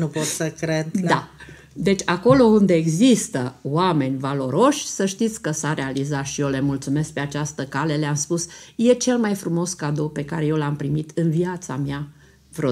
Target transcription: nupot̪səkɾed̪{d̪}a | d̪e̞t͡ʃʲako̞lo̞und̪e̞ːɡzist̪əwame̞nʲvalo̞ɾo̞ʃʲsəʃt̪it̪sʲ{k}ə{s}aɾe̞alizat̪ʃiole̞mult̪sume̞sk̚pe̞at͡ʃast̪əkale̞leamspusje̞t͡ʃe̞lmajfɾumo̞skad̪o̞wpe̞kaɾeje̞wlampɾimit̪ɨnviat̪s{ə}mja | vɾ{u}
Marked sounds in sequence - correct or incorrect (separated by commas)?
correct, correct, correct, incorrect, incorrect